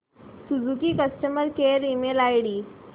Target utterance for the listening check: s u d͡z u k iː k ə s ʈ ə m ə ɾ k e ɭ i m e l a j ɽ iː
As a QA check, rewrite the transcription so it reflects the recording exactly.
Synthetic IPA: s u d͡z u k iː k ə s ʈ ə m ə ɾ k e ɾ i m e l a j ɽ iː